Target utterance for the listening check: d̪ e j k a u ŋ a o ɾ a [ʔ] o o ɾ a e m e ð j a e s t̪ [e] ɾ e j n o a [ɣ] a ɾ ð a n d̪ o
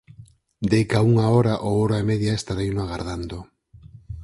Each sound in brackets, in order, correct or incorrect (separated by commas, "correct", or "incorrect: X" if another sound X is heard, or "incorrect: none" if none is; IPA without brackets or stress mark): correct, incorrect: a, correct